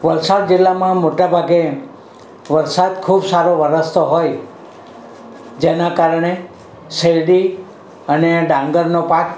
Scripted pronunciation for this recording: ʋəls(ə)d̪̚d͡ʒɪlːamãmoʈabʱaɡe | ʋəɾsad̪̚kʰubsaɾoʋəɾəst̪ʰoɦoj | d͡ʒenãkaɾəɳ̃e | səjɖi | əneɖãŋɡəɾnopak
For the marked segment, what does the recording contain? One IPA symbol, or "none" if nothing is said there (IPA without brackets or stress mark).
a